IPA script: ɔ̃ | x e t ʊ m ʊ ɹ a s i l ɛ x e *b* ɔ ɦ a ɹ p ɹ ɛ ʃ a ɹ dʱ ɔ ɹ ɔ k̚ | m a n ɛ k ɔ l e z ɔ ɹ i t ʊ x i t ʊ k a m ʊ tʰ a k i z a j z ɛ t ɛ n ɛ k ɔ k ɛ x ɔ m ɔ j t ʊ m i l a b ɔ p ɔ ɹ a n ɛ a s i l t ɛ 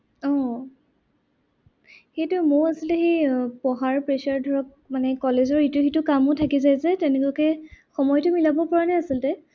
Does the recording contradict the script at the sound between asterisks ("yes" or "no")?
yes